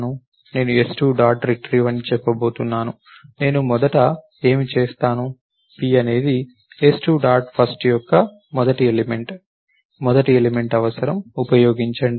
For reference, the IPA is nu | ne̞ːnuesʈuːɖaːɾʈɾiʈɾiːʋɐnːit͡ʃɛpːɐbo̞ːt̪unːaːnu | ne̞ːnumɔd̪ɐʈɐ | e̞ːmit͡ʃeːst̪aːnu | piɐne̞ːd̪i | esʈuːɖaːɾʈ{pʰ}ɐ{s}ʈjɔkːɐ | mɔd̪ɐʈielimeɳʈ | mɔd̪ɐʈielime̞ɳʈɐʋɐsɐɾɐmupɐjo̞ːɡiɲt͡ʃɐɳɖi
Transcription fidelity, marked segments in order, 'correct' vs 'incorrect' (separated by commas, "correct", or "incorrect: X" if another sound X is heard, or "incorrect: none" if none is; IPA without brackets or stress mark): correct, correct